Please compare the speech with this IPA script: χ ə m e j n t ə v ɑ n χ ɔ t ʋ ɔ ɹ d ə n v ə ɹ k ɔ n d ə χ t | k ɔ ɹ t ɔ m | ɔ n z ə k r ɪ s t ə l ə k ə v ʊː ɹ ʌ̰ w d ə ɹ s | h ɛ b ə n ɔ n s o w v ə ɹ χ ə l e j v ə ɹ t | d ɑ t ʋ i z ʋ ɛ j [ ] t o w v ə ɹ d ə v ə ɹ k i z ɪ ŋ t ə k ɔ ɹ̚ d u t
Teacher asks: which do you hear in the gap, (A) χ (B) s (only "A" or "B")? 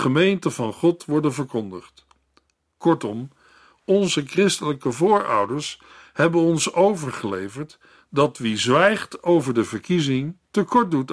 A